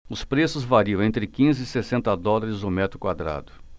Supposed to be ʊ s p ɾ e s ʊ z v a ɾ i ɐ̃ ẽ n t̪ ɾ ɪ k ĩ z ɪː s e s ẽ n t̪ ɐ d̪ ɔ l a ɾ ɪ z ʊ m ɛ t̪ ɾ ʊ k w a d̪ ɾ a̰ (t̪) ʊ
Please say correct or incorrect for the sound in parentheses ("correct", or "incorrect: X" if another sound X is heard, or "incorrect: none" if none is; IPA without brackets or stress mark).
incorrect: d̪